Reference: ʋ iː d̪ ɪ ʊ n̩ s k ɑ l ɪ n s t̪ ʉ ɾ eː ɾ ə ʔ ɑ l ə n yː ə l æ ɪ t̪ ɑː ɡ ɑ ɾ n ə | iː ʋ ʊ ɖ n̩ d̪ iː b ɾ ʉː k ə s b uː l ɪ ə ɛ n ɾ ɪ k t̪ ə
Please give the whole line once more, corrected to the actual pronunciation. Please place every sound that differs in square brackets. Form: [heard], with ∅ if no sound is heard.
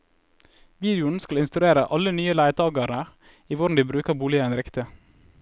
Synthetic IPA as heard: ʋ iː d̪ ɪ ʊ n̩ s k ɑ l ɪ n s t̪ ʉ ɾ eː ɾ ə ʔ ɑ l ə n yː ə l æ ɪ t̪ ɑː ɡ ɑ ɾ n ə | iː ʋ ʊ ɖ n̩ d̪ iː b ɾ ʉː k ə [∅] b uː l ɪ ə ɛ n ɾ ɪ k t̪ ə